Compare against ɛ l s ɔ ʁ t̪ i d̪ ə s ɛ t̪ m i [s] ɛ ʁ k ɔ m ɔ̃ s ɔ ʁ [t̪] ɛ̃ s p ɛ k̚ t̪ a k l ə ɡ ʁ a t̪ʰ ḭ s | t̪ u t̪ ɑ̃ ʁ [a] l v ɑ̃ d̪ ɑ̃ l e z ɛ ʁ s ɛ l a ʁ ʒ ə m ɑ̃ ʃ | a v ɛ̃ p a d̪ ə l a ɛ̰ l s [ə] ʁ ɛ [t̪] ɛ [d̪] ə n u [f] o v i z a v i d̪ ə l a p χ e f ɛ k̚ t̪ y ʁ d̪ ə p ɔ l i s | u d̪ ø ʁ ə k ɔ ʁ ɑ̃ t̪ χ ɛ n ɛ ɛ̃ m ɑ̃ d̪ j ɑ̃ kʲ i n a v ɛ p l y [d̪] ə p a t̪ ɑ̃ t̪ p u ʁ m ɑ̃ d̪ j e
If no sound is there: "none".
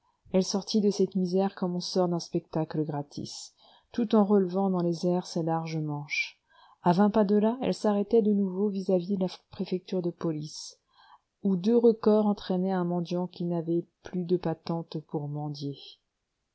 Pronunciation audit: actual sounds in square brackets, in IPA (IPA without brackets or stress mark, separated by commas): z, d̪, ə, a, t̪, d̪, v, d̪